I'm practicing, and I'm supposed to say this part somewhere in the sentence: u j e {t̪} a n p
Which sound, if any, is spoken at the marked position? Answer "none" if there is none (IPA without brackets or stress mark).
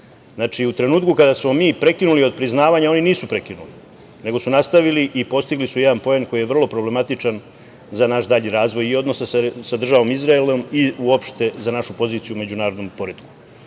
d̪